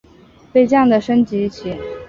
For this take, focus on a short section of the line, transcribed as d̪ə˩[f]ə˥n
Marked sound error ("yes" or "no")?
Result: yes